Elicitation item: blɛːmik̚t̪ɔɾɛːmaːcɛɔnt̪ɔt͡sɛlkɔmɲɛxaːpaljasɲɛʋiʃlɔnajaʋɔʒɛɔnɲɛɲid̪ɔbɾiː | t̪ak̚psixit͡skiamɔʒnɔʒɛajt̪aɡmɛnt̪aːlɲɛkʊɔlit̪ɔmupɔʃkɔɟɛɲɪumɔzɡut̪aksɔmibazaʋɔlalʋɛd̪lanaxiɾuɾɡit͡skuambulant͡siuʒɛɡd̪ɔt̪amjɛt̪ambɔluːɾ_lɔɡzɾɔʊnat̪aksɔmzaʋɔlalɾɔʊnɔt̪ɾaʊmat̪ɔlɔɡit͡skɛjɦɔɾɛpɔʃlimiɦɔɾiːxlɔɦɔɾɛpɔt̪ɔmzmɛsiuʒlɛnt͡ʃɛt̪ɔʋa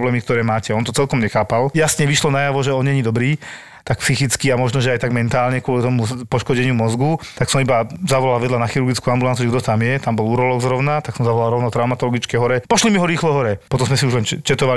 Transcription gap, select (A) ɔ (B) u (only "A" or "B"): A